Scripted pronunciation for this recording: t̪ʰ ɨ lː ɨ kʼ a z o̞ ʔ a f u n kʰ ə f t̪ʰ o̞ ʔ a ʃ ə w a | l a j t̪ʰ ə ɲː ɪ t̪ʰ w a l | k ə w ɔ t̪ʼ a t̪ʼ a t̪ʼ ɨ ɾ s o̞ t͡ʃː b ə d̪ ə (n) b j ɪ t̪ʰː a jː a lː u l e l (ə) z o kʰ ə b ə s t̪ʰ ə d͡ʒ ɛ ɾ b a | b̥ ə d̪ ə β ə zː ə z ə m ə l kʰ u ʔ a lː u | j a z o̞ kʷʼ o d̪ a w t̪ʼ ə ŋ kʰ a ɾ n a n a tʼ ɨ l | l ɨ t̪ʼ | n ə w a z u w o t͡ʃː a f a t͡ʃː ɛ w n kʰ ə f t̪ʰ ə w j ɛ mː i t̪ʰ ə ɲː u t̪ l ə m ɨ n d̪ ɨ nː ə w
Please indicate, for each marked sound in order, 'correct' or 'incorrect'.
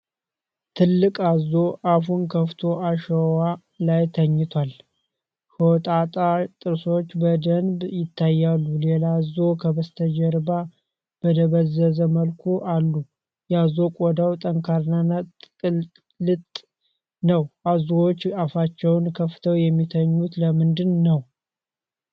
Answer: correct, incorrect

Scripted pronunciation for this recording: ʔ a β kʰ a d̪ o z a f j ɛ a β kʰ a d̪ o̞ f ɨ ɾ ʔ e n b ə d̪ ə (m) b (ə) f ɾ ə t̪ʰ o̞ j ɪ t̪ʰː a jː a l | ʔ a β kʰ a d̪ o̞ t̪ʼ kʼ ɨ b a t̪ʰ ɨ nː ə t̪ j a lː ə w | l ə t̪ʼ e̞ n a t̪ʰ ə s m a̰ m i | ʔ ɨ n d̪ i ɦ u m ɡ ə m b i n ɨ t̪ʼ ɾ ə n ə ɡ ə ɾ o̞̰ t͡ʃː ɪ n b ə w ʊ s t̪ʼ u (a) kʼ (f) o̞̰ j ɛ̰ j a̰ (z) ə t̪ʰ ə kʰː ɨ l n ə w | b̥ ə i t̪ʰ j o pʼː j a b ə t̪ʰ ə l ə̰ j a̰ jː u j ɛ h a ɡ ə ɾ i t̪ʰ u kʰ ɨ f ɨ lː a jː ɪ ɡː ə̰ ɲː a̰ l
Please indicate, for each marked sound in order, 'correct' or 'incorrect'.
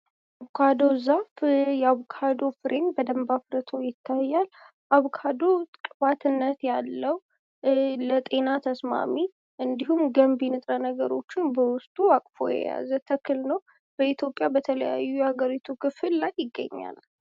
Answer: correct, incorrect, correct, correct, correct

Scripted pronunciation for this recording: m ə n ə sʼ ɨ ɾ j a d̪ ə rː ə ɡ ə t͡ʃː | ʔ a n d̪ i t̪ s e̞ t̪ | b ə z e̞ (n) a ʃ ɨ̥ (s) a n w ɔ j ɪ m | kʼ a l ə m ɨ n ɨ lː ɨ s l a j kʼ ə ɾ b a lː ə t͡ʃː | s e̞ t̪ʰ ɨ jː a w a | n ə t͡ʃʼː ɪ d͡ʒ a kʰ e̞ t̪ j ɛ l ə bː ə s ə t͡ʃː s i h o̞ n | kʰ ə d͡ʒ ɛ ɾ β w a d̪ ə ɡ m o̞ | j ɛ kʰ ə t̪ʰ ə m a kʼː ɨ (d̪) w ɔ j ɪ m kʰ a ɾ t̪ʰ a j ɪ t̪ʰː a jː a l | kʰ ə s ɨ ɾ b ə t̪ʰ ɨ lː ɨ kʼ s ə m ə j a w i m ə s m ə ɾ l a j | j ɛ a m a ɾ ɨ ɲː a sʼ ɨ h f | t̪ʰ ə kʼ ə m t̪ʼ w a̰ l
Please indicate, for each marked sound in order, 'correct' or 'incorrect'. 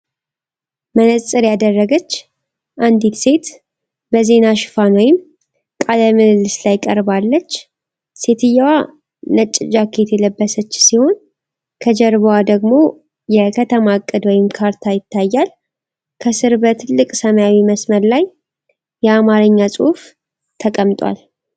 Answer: correct, incorrect, correct

